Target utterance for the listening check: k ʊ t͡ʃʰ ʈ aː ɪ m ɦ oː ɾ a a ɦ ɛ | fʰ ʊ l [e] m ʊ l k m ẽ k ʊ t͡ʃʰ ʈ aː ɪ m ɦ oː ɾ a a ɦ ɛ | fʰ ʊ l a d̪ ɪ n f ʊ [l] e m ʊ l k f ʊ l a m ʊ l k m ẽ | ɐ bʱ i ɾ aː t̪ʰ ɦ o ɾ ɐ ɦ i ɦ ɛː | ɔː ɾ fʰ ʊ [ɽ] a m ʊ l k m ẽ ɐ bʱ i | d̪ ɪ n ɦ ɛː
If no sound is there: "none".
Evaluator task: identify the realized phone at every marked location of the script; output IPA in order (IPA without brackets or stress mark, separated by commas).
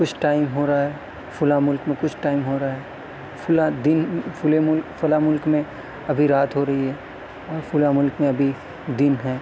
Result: a, l, l